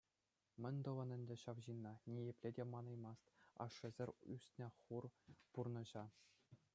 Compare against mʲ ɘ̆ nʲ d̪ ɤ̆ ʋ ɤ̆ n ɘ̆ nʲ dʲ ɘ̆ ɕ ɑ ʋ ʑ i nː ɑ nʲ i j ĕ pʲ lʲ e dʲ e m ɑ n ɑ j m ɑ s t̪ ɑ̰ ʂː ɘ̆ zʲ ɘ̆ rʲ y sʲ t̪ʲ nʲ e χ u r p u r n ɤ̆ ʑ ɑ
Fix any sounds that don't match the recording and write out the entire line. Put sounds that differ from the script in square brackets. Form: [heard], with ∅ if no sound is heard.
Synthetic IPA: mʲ ɘ̆ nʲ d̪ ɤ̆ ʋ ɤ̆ n ɘ̆ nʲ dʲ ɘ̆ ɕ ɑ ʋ ʑ i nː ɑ nʲ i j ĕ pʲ lʲ e dʲ e m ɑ n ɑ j m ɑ s t̪ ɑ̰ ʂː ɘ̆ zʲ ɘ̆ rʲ y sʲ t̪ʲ nʲ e χ u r p u r n ɤ̆ ʑ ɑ